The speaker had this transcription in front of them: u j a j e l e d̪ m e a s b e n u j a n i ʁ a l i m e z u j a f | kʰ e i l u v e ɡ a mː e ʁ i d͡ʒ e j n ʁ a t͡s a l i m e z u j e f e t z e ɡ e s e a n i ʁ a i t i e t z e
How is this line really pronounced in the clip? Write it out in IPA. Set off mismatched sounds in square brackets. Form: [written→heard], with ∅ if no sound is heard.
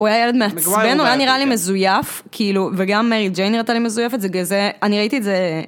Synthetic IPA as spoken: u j a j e l e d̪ m e a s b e n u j a n i ʁ a l i m e z u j a f | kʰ [e→i] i l u v e ɡ a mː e ʁ i d͡ʒ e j n ʁ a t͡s a l i m e z u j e f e t z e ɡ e [s→z] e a n i ʁ a i t i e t z e